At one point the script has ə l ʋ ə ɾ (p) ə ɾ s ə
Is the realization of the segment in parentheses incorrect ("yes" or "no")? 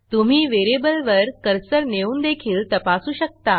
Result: yes